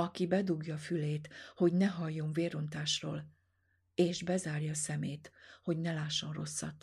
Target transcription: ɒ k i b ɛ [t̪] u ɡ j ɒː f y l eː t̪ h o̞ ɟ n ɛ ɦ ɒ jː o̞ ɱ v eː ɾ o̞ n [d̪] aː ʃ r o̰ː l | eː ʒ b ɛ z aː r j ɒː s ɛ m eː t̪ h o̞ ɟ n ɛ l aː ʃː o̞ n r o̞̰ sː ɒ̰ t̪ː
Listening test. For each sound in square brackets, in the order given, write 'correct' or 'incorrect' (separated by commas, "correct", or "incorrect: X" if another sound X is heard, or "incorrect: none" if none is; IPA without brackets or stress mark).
incorrect: d̪, incorrect: t̪